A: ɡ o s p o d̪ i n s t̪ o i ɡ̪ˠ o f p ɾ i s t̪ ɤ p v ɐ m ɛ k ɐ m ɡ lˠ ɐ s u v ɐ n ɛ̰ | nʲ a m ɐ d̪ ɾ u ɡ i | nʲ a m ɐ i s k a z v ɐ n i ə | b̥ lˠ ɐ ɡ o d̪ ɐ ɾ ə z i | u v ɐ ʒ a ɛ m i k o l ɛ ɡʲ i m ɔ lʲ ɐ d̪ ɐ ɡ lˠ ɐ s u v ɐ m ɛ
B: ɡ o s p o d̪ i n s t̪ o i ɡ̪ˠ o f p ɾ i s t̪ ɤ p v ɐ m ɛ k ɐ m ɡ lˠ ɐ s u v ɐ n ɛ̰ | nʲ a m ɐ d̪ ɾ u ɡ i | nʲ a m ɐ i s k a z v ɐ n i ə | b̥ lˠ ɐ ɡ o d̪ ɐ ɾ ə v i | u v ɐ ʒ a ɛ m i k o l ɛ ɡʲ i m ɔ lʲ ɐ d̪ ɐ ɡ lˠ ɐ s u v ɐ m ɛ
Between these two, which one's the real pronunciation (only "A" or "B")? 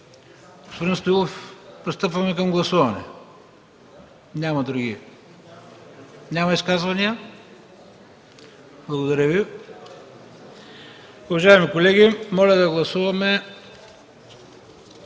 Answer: B